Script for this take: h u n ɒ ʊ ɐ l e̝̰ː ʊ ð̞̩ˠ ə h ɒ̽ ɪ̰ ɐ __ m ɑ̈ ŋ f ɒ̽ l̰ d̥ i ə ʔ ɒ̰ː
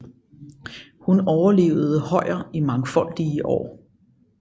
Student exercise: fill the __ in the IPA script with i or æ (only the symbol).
i